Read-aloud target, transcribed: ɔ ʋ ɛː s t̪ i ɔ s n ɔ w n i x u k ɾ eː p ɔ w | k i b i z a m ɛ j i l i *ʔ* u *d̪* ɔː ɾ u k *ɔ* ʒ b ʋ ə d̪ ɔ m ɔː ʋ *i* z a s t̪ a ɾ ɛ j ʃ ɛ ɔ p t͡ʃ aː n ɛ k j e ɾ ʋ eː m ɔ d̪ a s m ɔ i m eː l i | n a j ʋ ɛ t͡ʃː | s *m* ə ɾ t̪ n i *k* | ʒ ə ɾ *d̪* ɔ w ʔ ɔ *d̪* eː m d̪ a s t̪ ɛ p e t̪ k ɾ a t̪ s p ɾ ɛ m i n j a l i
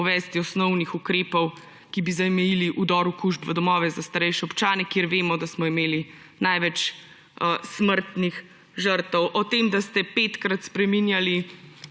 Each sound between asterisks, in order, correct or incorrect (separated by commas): correct, correct, incorrect, incorrect, correct, incorrect, incorrect, incorrect